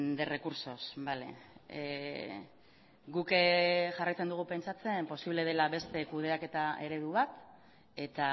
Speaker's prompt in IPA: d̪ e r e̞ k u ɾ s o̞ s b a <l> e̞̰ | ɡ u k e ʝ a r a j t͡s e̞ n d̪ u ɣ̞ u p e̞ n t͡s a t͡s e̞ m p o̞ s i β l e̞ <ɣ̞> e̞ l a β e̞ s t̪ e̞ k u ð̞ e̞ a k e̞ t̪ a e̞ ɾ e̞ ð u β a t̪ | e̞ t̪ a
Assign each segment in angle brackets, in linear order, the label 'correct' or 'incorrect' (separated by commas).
correct, incorrect